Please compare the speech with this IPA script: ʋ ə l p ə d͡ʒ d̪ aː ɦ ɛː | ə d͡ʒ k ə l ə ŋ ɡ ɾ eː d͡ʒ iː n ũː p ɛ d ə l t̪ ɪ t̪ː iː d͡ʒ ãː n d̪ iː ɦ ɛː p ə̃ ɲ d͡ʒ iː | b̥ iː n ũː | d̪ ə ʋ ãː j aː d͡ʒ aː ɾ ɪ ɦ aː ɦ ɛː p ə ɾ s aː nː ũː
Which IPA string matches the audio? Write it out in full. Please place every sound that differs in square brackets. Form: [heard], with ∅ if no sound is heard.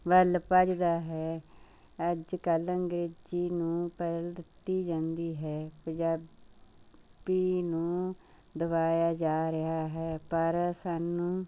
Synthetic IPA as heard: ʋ ə l p ə d͡ʒ d̪ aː ɦ ɛː | ə d͡ʒ k ə l ə ŋ ɡ ɾ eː d͡ʒ iː n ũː p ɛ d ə l [d̪] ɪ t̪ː iː d͡ʒ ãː n d̪ iː ɦ ɛː p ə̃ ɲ d͡ʒ [aː] | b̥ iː n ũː | d̪ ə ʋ [aː] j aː d͡ʒ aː ɾ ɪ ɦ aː ɦ ɛː p ə ɾ s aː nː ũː